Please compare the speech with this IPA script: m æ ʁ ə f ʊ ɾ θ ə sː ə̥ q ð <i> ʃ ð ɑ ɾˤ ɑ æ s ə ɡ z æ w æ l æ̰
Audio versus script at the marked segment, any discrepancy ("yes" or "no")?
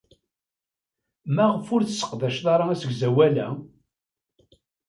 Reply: yes